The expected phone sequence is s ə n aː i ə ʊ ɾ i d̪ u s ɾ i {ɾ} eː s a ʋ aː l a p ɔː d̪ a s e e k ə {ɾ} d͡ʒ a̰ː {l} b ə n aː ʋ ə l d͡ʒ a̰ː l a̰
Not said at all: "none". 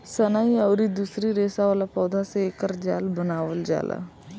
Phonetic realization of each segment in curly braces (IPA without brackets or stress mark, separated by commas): ɾ, ɾ, l